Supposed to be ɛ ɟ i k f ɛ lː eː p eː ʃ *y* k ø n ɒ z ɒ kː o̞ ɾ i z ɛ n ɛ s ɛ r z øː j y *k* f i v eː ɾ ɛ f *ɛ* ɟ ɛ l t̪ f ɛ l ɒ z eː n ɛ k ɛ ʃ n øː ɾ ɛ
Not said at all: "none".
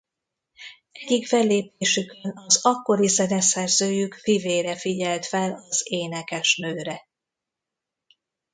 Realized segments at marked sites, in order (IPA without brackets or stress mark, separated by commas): y, k, i